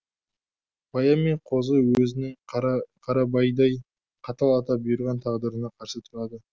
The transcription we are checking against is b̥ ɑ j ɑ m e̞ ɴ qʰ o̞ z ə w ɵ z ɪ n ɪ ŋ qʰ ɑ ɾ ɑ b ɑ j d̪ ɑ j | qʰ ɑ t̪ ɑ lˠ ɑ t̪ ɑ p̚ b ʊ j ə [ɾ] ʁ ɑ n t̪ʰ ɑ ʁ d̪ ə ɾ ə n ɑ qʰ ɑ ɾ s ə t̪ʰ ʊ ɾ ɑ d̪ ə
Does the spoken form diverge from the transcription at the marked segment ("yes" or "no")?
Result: no